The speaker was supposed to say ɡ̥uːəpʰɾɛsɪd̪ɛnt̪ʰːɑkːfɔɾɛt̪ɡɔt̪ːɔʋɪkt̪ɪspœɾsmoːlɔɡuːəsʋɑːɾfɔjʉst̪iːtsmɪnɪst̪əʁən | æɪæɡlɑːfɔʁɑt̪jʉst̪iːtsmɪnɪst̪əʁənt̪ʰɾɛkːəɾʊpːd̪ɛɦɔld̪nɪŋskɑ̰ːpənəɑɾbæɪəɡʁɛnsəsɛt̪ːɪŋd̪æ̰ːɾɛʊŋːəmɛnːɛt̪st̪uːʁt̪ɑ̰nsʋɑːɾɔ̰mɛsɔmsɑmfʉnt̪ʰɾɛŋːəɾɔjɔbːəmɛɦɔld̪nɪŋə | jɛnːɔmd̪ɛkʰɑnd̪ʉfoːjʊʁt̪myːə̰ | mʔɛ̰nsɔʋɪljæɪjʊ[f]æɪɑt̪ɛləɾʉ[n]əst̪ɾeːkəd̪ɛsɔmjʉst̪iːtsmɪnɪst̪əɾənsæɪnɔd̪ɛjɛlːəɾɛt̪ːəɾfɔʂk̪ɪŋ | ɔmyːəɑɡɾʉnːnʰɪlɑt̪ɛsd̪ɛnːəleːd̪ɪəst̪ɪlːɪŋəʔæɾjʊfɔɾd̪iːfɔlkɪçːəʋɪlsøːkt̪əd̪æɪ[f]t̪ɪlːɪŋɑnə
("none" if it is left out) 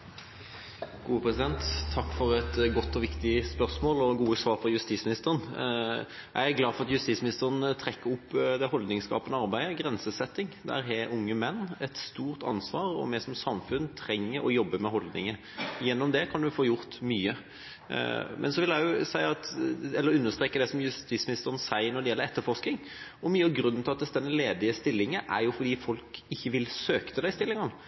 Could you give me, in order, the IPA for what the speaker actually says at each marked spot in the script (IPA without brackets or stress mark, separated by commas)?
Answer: s, nː, s